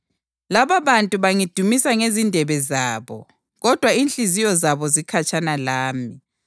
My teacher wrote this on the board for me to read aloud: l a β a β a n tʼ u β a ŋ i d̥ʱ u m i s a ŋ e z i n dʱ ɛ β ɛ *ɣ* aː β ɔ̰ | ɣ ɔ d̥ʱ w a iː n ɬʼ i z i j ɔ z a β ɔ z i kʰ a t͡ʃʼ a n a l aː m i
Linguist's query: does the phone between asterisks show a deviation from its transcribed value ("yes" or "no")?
yes